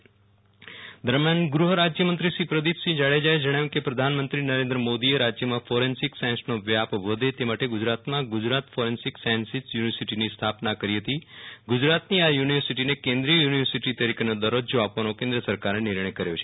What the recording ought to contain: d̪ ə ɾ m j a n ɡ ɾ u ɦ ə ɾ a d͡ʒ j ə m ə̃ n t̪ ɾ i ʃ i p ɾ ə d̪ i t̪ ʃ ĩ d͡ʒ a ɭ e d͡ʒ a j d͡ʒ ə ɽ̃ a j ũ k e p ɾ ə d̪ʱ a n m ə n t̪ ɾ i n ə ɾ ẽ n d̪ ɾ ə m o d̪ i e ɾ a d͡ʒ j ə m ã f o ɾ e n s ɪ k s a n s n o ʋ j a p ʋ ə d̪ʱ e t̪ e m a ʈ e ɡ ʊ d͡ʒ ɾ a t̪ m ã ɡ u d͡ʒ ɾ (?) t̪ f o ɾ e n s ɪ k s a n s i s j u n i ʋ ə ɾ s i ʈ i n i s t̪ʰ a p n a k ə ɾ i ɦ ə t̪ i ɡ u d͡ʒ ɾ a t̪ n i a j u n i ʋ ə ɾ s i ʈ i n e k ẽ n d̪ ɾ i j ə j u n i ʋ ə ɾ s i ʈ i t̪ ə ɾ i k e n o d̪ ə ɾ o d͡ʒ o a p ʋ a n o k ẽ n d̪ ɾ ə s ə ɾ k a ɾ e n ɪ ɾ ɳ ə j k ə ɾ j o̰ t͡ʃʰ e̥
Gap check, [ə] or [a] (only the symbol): a